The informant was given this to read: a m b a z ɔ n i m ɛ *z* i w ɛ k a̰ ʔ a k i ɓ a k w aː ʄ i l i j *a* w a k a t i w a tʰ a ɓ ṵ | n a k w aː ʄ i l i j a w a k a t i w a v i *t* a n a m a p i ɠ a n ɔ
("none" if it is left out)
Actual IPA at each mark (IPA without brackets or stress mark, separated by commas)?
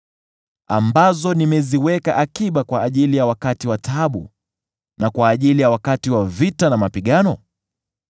z, a, t